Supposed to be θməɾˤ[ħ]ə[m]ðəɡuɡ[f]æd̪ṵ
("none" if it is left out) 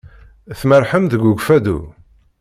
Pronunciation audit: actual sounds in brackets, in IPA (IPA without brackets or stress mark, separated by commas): ħ, m, f